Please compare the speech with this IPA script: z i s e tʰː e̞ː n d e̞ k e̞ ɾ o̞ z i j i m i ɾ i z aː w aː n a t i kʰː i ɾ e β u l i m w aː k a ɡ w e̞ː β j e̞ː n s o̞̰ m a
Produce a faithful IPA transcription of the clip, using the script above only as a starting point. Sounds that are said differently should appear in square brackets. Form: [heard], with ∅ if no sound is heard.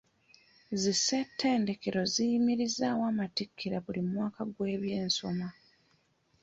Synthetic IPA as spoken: z i s e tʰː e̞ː n d e̞ k e̞ ɾ o̞ z i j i m i ɾ i z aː w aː [m] a t i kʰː i ɾ [a] β u l i m w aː k a ɡ w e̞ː β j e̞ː n s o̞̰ m a